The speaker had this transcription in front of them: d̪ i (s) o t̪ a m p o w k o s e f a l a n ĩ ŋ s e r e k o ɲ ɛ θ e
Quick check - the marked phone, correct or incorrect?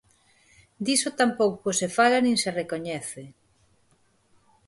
correct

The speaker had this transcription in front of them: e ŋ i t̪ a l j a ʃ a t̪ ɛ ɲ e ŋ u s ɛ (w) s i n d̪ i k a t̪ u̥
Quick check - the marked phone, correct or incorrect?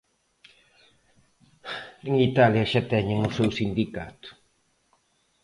correct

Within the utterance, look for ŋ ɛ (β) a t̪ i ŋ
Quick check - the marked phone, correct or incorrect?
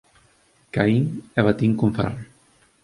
correct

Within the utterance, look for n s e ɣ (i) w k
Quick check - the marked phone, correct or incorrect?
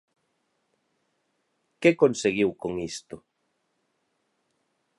correct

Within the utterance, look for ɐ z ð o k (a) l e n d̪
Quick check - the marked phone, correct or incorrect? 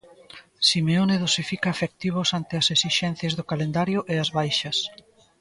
correct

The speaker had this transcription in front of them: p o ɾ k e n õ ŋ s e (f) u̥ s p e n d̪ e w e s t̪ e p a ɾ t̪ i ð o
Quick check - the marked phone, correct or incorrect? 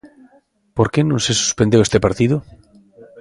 incorrect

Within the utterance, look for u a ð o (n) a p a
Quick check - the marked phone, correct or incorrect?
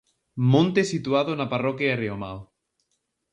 correct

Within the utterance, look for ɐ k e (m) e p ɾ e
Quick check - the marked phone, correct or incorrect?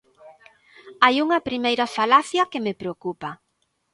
correct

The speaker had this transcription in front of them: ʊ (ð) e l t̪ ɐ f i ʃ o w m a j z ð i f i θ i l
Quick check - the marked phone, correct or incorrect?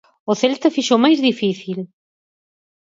incorrect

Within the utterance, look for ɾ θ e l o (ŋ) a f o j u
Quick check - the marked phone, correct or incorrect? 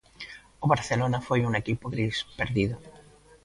incorrect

